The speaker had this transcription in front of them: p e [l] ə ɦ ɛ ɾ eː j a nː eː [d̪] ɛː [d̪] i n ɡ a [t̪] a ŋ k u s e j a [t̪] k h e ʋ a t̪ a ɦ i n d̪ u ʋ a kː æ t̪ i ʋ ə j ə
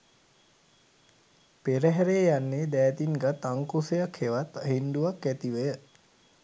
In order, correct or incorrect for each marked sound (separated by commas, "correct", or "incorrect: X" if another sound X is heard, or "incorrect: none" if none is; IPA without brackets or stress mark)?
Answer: incorrect: ɾ, correct, incorrect: t̪, correct, incorrect: none